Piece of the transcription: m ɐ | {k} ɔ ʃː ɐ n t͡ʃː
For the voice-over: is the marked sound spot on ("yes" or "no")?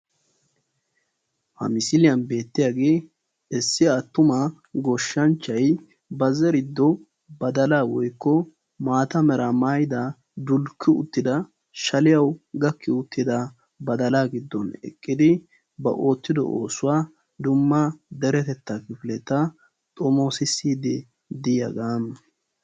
no